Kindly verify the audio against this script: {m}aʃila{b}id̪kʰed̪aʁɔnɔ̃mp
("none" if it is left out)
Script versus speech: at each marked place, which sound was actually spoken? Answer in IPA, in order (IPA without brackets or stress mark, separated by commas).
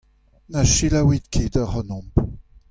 n, w